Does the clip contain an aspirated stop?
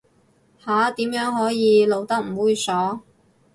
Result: no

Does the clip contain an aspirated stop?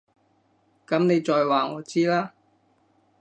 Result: no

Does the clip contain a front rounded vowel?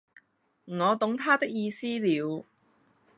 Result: no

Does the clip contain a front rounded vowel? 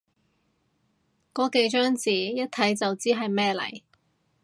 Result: yes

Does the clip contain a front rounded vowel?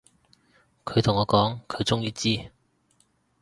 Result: no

